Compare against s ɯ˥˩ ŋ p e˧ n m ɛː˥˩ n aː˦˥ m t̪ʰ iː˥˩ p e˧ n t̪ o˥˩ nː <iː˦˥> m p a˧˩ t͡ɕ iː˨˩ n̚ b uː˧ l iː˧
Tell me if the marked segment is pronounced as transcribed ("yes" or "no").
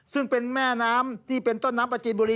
no